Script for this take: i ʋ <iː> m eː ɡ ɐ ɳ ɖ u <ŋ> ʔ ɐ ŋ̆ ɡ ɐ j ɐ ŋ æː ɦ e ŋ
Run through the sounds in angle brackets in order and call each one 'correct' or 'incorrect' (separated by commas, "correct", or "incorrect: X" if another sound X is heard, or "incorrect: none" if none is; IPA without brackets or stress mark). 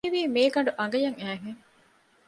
correct, incorrect: none